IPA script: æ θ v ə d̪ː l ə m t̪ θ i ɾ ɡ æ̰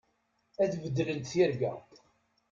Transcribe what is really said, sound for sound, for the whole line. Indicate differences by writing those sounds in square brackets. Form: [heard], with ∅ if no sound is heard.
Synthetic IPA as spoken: æ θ v ə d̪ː l ə [n] t̪ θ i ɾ ɡ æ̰